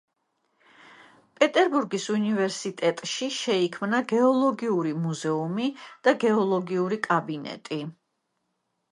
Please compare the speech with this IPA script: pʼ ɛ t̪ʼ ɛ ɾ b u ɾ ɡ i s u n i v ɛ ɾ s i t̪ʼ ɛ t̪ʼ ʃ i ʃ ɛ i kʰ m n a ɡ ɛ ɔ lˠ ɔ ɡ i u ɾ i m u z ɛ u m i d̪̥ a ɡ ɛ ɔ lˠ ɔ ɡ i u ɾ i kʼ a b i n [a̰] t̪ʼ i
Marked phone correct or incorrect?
incorrect